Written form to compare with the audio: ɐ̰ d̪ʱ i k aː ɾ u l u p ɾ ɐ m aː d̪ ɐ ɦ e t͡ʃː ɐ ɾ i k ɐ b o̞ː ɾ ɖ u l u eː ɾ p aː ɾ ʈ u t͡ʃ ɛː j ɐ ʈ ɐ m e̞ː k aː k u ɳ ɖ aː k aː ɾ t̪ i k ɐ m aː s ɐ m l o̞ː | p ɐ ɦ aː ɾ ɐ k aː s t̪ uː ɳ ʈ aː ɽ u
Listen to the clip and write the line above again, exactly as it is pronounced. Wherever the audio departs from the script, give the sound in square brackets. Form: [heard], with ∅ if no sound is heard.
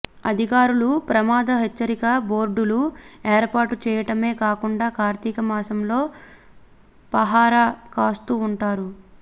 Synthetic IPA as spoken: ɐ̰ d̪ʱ i k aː ɾ u l u p ɾ ɐ m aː d̪ ɐ ɦ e t͡ʃː ɐ ɾ i k ɐ b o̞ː ɾ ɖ u l u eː ɾ p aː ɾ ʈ u t͡ʃ ɛː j ɐ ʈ ɐ m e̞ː k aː k u ɳ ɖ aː k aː ɾ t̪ i k ɐ m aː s ɐ m l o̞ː | p ɐ ɦ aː ɾ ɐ k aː s t̪ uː ɳ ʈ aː [ɾ] u